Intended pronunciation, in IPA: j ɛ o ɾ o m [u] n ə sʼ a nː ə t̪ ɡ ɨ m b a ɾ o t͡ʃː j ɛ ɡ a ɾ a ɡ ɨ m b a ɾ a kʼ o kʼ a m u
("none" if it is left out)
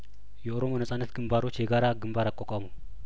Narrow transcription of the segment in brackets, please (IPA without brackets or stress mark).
o